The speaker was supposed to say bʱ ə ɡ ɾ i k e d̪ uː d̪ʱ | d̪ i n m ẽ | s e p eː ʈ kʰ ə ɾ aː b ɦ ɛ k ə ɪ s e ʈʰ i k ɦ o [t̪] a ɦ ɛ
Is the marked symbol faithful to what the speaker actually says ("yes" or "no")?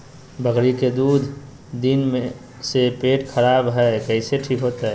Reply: yes